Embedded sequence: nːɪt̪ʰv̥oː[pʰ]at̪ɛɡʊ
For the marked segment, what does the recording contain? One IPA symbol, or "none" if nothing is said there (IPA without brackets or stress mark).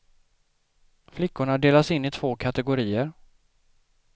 kʰ